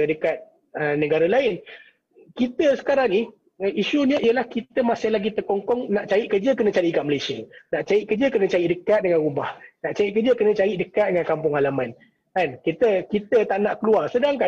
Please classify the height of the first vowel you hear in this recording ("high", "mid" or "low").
mid